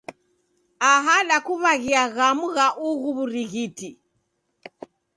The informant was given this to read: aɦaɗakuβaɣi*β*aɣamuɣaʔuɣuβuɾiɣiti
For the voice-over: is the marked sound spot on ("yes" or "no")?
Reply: no